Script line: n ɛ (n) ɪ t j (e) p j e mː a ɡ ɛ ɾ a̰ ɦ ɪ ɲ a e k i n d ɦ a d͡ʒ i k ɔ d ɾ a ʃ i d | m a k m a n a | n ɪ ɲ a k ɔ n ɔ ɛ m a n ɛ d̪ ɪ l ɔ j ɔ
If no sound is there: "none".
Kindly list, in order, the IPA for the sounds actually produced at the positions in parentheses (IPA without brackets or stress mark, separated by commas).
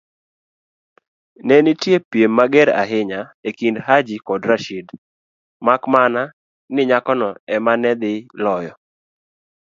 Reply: n, e